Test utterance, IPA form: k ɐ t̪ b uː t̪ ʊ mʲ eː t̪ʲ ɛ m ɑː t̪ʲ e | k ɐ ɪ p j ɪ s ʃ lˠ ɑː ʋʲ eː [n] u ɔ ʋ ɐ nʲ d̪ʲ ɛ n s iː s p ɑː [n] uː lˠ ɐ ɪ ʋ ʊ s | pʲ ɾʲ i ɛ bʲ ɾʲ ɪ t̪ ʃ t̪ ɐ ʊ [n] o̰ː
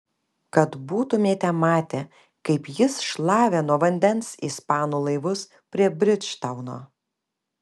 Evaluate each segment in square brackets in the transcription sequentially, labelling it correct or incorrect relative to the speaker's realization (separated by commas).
correct, correct, correct